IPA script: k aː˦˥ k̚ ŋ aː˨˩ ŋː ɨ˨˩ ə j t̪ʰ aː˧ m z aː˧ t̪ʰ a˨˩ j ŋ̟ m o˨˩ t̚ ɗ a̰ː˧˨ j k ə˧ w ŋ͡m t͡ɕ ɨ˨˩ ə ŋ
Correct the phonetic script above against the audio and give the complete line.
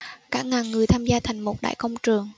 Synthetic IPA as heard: k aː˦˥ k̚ ŋ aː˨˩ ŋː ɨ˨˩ ə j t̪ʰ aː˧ m z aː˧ t̪ʰ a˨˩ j ŋ̟ m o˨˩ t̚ ɗ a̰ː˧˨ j k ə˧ w ŋ͡m t͡ɕ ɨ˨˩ ə ŋ